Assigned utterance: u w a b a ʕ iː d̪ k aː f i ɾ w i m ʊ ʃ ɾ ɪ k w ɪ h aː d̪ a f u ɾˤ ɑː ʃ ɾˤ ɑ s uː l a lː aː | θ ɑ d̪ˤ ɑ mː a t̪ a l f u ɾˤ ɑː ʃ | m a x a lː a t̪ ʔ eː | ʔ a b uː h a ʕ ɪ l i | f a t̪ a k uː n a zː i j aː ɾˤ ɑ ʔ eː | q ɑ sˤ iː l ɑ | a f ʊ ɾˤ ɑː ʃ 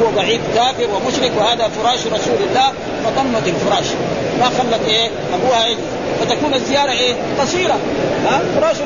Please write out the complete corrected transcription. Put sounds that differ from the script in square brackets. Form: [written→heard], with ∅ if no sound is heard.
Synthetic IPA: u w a b a ʕ iː d̪ k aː f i ɾ w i m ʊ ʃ ɾ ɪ k w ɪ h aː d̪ a f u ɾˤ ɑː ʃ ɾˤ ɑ s uː l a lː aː | [θ→f] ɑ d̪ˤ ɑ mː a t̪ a l f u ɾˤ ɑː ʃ | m a x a lː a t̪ ʔ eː | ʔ a b uː h a ʕ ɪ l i | f a t̪ a k uː n a zː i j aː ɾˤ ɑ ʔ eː | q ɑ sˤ iː [l→ɾ] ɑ | a f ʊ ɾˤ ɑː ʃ